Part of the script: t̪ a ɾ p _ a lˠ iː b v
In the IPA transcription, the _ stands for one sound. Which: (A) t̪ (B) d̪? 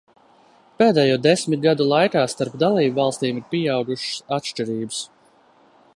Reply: B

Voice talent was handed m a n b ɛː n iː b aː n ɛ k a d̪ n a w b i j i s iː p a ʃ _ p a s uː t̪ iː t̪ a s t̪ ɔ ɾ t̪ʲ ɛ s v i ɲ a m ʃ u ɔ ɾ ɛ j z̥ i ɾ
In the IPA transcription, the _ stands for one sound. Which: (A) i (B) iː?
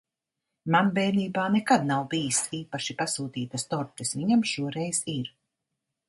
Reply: A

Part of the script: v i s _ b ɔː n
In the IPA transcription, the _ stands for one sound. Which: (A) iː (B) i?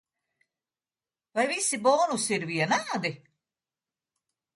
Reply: B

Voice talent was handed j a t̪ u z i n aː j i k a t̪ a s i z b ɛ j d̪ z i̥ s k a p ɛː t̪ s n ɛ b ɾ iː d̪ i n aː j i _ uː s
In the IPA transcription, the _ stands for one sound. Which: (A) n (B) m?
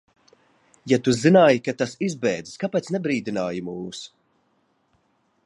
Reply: B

